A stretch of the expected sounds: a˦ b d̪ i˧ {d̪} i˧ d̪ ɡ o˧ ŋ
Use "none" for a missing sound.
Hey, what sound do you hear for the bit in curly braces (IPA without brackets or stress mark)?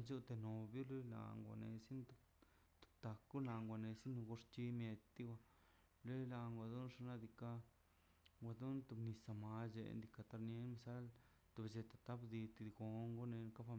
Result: t̪